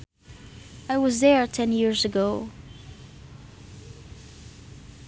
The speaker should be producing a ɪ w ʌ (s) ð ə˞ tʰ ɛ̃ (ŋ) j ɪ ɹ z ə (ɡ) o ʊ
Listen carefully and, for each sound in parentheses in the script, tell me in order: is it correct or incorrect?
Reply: incorrect: z, incorrect: n, correct

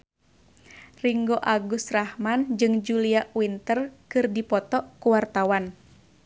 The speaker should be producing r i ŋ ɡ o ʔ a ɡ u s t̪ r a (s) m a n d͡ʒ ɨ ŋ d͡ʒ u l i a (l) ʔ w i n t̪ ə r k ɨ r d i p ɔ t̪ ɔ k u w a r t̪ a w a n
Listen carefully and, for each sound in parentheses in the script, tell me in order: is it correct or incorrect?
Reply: incorrect: h, incorrect: none

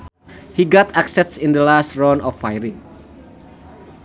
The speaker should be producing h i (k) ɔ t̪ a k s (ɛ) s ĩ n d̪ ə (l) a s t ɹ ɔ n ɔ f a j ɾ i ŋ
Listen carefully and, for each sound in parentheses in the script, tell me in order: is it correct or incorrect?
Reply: incorrect: ɡ, correct, correct

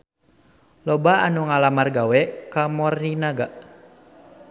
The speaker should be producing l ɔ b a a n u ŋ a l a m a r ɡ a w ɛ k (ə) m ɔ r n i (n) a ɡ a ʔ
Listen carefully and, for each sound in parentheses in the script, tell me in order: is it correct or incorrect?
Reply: incorrect: a, correct

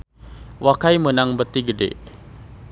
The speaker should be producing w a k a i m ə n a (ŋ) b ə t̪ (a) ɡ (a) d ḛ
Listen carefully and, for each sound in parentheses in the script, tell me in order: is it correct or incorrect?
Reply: correct, incorrect: i, incorrect: ə

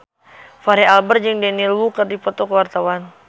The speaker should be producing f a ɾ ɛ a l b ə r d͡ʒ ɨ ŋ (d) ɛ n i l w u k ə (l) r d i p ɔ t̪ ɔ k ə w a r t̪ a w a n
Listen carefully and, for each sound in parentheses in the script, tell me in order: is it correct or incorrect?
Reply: correct, incorrect: none

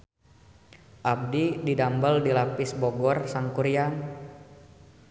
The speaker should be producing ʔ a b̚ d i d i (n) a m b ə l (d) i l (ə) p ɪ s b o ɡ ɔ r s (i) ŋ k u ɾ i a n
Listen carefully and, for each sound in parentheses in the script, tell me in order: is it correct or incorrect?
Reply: incorrect: d, correct, incorrect: a, incorrect: a

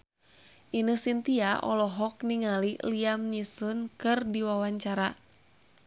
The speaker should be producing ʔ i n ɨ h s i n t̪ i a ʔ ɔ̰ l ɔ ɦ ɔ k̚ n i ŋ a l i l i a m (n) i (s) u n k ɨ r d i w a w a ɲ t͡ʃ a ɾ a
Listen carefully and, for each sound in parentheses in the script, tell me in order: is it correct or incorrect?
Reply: incorrect: ɲ, correct

